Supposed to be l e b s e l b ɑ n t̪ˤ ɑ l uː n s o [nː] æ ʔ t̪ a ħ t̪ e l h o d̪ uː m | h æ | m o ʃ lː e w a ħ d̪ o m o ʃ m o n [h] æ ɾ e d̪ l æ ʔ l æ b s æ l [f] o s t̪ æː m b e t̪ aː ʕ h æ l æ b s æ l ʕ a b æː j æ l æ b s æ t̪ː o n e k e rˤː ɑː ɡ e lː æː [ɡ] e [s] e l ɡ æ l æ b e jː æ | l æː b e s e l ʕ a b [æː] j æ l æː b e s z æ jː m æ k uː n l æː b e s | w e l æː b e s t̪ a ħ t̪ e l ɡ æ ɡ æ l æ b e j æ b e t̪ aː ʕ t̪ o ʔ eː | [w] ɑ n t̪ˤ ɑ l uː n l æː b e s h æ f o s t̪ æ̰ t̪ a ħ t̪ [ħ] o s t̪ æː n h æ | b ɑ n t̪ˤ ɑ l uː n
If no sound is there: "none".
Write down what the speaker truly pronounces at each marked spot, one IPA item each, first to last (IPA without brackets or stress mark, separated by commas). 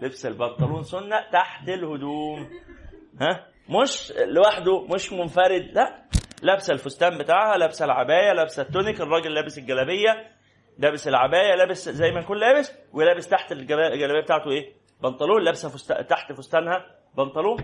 nː, f, f, b, s, æː, b, f